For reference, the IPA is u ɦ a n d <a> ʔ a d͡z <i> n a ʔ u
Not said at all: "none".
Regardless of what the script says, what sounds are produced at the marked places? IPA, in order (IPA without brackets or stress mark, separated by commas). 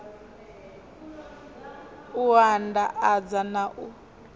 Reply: a, a